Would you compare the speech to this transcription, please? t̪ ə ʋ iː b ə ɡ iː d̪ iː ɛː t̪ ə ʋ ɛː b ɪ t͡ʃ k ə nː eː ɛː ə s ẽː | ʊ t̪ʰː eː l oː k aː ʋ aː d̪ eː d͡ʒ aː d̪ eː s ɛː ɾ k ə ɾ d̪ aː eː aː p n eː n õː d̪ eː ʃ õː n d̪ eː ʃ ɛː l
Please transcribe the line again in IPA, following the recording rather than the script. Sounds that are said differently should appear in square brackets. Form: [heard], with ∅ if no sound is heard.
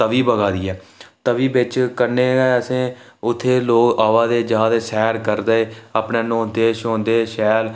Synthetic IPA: t̪ ə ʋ iː b ə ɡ [aː] d̪ iː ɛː t̪ ə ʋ [iː] b ɪ t͡ʃ k ə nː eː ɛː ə s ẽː | ʊ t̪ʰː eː l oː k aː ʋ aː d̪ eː d͡ʒ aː d̪ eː s ɛː ɾ k ə ɾ d̪ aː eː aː p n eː n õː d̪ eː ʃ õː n d̪ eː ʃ ɛː l